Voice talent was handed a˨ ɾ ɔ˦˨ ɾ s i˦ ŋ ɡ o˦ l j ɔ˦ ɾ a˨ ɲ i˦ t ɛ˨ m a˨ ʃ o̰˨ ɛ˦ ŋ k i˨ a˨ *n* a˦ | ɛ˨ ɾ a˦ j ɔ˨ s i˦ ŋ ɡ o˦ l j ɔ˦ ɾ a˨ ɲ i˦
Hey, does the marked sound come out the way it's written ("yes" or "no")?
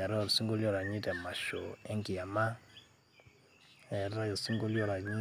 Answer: no